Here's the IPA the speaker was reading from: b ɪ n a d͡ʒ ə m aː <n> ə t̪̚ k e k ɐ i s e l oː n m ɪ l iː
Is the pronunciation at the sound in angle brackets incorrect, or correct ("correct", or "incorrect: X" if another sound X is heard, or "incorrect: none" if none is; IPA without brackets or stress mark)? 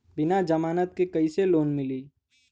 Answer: correct